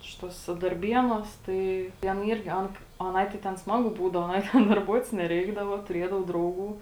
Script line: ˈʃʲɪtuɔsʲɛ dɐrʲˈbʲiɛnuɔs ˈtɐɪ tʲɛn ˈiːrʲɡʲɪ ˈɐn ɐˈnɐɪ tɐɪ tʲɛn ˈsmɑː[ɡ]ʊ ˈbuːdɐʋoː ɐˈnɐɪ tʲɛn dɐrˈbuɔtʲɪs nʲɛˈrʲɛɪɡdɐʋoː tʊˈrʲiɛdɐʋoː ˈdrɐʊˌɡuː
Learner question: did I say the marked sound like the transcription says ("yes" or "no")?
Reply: yes